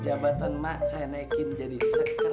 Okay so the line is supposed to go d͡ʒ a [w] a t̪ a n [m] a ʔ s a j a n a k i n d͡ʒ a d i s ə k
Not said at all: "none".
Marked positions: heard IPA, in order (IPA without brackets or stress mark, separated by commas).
b, m